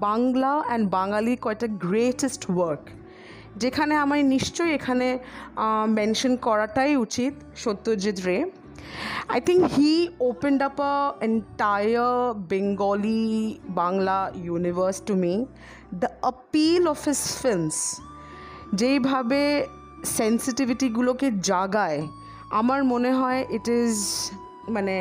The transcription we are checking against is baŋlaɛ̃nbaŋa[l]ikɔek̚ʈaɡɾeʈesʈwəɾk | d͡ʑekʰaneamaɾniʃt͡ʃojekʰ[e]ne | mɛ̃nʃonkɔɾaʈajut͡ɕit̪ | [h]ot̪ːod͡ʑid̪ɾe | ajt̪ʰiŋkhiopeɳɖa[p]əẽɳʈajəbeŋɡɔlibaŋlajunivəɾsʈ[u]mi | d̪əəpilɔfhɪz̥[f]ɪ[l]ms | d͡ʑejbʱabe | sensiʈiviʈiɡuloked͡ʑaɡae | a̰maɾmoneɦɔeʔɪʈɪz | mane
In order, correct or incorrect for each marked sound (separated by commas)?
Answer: correct, incorrect, incorrect, correct, correct, correct, correct